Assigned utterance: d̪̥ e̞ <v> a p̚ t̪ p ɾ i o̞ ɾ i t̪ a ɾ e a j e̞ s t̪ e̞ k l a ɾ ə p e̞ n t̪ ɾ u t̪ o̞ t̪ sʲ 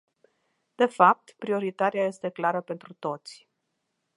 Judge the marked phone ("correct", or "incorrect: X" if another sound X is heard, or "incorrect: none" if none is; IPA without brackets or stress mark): incorrect: f